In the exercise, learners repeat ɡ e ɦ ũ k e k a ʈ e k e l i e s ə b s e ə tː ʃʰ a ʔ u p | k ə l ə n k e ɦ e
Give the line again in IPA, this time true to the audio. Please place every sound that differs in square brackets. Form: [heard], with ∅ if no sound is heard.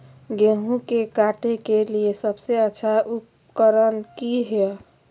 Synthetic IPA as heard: ɡ e ɦ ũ k e k a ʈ e k e l i e s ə b s e ə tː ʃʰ a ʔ u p | k ə [ɾ] ə n k [i] ɦ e